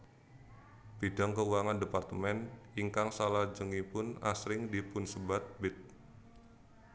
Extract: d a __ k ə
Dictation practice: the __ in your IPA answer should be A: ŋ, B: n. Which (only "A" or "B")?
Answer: A